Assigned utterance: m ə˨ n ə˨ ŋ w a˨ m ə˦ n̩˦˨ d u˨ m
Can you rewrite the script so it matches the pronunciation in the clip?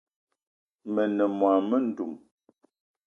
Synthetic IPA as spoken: m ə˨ n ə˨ m w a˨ m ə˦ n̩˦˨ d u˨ m